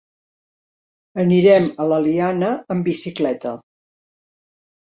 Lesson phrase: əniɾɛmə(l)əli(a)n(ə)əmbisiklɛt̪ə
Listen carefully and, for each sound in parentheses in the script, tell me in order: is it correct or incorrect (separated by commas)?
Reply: correct, correct, correct